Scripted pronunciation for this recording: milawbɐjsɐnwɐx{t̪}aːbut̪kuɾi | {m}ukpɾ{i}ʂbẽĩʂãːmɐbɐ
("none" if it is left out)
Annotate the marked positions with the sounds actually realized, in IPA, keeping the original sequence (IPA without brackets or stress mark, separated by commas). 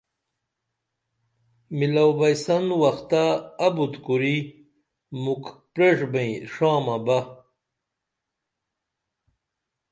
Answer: t̪, m, e